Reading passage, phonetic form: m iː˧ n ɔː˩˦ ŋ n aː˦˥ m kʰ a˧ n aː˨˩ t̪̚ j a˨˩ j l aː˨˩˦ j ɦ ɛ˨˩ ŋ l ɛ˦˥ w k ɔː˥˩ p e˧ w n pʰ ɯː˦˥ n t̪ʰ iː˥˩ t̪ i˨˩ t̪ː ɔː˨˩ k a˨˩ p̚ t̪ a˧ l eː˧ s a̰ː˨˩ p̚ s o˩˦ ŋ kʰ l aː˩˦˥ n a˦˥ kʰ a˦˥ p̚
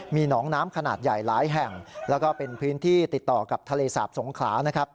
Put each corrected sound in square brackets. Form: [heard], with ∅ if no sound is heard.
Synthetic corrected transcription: m iː˧ n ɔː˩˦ ŋ n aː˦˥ m kʰ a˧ n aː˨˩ t̪̚ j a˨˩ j l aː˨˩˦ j ɦ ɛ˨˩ ŋ l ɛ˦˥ w k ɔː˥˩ p e˧ [∅] n pʰ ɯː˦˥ n t̪ʰ iː˥˩ t̪ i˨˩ t̪ː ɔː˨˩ k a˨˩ p̚ [t̪ʰ] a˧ l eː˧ s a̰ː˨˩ p̚ s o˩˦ ŋ kʰ l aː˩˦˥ n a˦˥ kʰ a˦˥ p̚